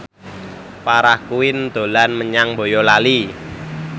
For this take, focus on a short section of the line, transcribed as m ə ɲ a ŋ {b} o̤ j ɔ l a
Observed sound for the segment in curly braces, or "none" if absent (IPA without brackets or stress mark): b